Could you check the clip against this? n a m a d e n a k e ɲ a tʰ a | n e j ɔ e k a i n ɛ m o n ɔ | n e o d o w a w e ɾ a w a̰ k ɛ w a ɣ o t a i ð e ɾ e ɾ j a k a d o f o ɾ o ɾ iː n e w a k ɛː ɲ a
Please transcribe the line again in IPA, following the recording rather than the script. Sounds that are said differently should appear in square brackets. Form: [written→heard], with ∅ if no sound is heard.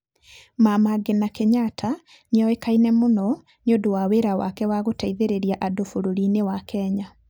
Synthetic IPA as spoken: [n→m] a m a [d→ɡ] e n a k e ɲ a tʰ a | n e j ɔ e k a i n ɛ m o n ɔ | n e o d o w a w e ɾ a w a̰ k ɛ w a ɣ o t a i ð e ɾ e ɾ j a [k→ʔ] a d o f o ɾ o ɾ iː n e w a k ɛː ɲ a